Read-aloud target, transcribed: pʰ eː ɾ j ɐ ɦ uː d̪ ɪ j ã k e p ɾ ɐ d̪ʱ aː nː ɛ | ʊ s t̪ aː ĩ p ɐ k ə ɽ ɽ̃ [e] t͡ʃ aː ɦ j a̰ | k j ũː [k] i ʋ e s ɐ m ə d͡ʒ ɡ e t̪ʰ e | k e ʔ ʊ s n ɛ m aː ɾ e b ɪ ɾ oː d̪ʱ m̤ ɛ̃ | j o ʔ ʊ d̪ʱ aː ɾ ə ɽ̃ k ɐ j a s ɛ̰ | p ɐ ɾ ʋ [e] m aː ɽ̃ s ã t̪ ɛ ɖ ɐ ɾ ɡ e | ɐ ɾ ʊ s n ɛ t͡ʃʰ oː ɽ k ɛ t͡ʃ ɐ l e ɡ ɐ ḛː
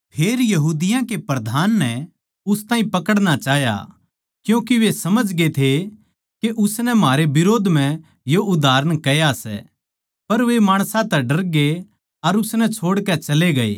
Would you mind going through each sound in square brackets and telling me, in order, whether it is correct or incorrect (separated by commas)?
incorrect, correct, correct